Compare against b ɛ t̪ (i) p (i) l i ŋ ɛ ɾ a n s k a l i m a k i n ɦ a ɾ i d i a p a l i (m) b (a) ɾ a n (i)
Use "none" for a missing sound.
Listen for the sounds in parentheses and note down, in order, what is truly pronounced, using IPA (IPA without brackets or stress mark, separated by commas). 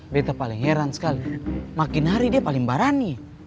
a, a, ŋ, a, i